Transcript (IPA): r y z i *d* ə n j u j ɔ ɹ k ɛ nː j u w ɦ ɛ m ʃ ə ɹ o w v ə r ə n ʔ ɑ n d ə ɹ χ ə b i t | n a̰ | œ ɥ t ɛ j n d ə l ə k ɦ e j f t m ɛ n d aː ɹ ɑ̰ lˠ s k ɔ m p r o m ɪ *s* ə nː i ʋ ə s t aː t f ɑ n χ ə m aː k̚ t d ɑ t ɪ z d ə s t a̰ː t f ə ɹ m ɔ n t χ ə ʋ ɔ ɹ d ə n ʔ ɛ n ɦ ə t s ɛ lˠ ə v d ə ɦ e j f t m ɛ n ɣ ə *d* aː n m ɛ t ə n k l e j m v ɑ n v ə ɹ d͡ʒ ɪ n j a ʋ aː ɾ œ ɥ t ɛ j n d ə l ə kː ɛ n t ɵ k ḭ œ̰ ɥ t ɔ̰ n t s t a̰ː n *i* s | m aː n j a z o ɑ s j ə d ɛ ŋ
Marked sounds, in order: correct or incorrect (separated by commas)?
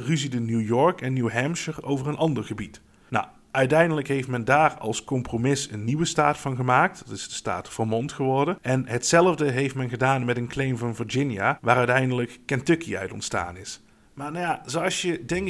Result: correct, correct, correct, incorrect